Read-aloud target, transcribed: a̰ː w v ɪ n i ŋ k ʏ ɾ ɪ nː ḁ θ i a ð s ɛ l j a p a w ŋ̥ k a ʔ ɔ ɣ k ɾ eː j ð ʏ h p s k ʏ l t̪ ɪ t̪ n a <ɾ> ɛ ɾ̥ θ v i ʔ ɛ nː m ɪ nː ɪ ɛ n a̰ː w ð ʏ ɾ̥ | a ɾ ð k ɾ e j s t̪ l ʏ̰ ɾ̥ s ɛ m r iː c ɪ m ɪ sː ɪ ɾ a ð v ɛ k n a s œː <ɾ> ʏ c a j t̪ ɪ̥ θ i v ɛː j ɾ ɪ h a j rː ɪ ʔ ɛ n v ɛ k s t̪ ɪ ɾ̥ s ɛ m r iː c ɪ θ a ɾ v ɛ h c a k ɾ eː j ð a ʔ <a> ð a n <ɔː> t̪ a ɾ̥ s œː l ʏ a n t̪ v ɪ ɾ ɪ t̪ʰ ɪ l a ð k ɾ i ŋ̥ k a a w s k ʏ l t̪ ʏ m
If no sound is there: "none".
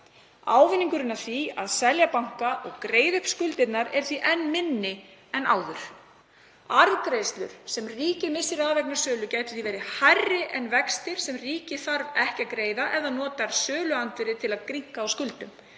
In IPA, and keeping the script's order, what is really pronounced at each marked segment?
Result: ɾ, l, ɛ, ɔː

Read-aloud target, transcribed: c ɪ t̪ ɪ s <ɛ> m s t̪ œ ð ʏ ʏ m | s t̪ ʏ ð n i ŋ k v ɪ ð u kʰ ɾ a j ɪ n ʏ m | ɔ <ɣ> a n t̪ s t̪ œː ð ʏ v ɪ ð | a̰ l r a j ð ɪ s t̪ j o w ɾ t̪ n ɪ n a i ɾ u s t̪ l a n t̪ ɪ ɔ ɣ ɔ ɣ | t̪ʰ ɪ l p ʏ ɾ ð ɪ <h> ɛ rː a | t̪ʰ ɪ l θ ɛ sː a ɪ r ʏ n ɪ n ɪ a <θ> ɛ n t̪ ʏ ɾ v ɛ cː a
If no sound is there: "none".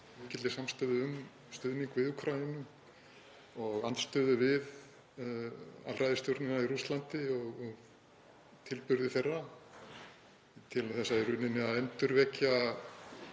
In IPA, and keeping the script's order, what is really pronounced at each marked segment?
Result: a, ɣ, θ, ð

